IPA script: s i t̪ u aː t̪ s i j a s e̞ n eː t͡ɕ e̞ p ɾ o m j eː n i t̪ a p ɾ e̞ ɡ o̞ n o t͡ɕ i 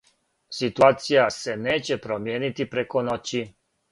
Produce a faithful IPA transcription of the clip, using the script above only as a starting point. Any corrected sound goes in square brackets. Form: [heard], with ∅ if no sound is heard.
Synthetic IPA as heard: s i t̪ u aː t̪ s i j a s e̞ n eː t͡ɕ e̞ p ɾ o m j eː n i t̪ [i] p ɾ e̞ [k] o̞ n o t͡ɕ i